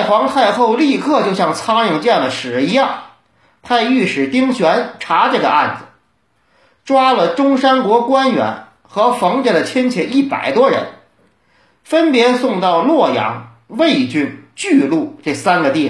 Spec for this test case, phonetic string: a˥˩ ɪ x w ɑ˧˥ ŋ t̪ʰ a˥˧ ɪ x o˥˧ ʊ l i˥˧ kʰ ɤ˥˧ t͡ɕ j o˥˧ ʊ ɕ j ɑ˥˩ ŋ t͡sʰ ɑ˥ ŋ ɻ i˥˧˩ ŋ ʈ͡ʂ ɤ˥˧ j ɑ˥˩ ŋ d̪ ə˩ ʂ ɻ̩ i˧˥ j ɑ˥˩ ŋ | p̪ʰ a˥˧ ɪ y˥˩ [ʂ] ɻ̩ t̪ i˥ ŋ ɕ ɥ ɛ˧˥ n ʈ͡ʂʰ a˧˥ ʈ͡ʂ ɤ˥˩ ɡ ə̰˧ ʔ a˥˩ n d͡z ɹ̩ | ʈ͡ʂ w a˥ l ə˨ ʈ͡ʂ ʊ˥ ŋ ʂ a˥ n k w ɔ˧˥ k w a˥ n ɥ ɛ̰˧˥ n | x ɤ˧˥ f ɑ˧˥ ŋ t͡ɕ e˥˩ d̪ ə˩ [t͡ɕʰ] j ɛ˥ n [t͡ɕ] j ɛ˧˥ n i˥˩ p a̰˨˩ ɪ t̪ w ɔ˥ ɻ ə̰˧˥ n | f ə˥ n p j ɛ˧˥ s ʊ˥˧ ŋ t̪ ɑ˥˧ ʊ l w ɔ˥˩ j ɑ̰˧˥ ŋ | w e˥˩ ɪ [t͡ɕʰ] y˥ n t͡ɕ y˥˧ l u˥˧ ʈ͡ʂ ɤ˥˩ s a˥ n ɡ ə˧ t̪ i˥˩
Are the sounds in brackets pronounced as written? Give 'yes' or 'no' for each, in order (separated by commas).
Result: yes, yes, no, no